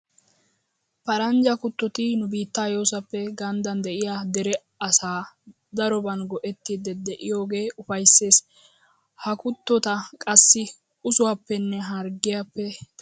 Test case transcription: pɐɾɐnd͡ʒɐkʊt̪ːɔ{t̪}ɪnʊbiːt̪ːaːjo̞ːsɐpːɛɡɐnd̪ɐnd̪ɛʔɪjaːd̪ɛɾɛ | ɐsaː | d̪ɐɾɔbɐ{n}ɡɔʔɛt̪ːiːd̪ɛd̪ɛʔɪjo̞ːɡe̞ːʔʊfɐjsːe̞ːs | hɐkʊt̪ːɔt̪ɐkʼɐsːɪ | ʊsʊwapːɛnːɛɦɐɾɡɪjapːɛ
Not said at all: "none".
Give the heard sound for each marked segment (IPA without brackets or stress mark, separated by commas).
t̪, n